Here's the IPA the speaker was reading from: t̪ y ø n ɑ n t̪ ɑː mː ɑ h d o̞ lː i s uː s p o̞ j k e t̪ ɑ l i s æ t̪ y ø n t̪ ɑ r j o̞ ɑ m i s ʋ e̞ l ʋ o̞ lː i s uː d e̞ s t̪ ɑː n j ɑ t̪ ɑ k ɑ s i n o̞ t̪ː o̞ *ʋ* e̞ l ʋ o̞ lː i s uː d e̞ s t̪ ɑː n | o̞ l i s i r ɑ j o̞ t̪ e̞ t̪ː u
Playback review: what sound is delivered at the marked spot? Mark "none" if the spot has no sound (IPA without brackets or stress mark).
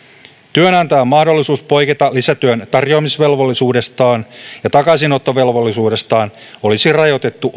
ʋ